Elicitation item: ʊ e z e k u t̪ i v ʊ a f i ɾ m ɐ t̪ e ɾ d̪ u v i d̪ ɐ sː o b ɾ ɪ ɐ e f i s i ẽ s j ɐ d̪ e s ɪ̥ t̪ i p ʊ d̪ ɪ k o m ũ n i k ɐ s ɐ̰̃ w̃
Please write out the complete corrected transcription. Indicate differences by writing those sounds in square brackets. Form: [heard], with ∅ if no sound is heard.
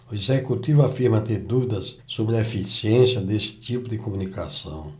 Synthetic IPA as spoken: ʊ e z e k u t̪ i v ʊ a f i ɾ m ɐ t̪ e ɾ d̪ u v i d̪ ɐ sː o b ɾ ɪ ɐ e f i s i ẽ s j ɐ d̪ e s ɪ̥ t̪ i p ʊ d̪ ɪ k o m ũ n i k [a] s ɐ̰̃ w̃